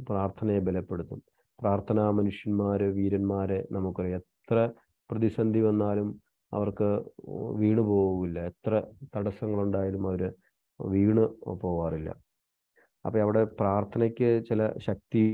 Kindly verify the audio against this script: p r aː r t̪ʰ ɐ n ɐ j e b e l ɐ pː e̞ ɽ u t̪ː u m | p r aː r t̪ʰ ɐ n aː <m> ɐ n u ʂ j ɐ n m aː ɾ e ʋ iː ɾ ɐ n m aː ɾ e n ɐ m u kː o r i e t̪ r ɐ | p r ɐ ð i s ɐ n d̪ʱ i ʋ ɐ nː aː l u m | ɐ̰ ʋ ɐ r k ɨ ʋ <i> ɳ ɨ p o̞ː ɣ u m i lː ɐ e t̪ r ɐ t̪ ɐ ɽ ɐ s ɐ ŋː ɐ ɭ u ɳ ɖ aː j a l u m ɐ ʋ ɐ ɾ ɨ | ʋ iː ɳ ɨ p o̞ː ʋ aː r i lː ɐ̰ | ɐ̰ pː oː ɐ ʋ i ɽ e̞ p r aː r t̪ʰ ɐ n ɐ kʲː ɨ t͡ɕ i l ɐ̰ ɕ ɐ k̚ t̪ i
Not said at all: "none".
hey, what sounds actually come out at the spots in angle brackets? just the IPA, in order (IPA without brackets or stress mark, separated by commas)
m, iː